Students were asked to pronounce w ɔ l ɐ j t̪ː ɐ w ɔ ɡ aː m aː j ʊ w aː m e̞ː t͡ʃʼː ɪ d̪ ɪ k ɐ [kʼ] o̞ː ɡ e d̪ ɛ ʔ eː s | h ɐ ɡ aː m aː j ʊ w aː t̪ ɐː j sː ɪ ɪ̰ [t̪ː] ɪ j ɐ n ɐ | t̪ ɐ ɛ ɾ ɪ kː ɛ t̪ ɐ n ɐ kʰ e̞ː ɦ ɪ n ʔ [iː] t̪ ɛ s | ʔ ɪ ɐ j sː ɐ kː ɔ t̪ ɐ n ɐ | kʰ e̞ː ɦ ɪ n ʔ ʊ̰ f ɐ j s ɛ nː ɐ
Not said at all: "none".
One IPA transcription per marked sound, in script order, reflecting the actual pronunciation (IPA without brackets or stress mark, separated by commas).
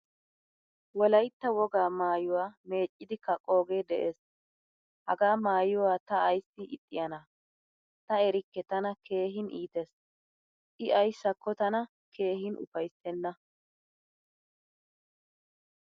kʼ, t̪ʼː, iː